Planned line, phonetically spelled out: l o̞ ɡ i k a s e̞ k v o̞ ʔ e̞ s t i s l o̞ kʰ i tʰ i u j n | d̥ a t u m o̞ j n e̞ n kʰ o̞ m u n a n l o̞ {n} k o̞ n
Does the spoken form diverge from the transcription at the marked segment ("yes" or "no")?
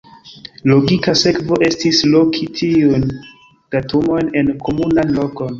yes